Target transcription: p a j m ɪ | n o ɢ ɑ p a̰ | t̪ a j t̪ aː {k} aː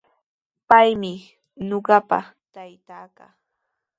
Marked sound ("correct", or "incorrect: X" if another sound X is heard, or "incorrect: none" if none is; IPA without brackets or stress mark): correct